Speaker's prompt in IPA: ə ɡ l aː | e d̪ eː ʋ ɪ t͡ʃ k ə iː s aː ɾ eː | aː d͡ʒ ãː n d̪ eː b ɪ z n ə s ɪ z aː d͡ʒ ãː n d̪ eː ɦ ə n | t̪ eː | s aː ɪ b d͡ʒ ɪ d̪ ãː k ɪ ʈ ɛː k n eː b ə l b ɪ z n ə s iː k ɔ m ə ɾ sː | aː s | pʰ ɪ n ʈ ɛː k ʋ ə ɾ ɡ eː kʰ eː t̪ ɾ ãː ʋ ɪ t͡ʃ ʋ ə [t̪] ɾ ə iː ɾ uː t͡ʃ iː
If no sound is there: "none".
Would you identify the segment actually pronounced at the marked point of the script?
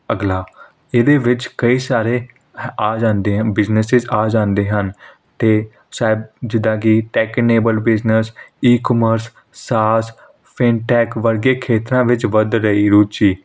d̪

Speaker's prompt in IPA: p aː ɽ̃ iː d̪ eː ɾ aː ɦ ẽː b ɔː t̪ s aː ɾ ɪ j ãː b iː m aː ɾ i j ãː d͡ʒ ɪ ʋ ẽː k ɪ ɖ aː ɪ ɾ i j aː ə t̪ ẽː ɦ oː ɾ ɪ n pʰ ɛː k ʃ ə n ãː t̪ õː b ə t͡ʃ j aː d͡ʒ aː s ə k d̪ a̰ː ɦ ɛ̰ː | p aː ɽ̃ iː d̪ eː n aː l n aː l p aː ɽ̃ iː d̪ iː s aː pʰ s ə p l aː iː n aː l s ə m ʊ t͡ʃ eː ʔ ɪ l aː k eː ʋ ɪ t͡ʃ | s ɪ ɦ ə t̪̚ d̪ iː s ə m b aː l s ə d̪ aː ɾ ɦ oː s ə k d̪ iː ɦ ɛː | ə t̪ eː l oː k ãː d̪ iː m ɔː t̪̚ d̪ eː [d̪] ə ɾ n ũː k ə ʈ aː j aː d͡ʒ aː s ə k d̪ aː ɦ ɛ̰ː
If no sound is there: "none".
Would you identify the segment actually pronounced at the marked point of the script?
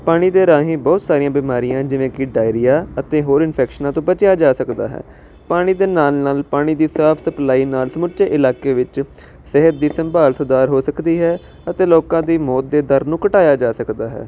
d̪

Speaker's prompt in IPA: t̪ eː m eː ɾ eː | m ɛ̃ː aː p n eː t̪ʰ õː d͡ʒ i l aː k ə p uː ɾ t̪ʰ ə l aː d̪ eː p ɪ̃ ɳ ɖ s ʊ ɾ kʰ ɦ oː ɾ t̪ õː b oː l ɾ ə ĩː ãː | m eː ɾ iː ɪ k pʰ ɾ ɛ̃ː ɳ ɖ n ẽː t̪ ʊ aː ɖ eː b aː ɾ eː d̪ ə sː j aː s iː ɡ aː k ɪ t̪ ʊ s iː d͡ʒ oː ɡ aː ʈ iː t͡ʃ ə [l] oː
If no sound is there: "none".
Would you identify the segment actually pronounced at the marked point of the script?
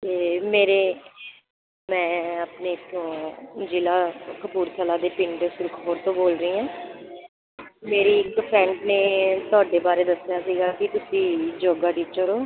ɾ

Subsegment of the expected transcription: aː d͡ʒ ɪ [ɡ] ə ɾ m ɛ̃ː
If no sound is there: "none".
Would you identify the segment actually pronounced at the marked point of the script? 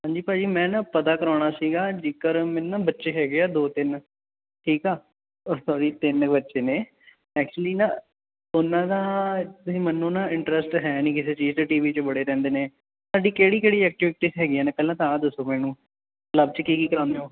k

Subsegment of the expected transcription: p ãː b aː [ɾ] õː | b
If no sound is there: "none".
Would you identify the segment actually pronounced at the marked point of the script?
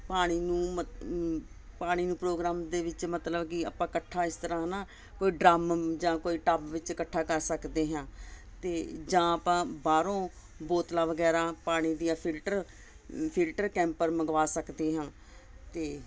ɾ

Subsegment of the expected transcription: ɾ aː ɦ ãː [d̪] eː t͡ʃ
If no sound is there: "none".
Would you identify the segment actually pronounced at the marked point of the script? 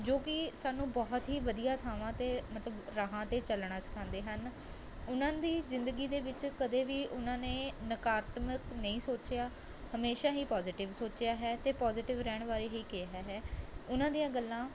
t̪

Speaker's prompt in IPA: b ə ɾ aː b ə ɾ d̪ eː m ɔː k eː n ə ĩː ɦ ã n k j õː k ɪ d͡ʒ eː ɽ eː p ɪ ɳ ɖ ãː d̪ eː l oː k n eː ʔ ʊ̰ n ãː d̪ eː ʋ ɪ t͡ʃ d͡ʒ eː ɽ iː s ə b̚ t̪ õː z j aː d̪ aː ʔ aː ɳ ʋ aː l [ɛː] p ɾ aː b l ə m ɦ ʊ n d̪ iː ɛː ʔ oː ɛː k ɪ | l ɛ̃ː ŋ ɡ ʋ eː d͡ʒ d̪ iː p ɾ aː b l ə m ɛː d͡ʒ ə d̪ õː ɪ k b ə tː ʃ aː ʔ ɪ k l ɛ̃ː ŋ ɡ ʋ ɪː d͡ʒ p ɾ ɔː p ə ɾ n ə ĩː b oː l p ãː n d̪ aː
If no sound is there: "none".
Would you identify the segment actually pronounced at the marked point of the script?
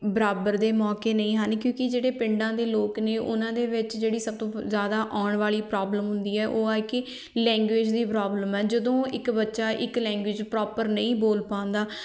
iː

